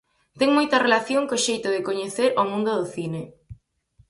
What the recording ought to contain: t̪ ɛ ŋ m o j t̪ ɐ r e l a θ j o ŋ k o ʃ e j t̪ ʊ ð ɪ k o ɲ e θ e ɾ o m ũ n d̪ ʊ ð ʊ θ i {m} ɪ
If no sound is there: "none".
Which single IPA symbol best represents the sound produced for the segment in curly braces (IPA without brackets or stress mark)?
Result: n